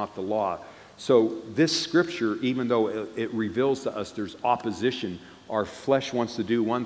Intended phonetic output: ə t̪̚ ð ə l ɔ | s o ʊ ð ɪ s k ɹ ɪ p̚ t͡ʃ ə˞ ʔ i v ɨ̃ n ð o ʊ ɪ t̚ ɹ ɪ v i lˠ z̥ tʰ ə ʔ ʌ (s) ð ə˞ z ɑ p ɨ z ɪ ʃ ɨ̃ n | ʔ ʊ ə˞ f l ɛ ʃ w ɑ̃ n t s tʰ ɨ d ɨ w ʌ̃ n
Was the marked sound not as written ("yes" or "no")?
no